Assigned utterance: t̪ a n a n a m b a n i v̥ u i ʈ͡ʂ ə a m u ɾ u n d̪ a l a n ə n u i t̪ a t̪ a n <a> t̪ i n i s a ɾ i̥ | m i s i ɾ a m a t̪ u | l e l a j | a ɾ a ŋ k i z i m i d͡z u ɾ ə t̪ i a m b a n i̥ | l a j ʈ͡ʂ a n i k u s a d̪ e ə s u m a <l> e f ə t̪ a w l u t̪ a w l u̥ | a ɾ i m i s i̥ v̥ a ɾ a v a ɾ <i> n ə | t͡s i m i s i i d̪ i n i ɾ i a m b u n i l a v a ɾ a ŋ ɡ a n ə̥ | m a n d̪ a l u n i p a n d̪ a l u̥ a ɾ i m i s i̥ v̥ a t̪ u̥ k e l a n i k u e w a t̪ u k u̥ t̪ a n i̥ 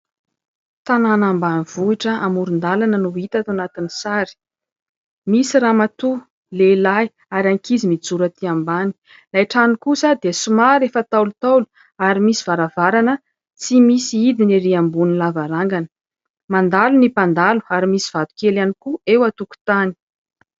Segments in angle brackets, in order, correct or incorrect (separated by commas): correct, incorrect, incorrect